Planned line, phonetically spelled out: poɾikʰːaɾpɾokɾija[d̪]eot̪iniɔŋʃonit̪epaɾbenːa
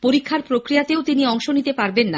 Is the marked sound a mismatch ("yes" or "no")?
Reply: yes